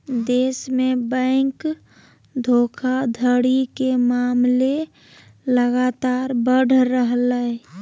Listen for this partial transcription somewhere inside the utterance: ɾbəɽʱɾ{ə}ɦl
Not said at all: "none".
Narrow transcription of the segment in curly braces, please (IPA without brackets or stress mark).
ə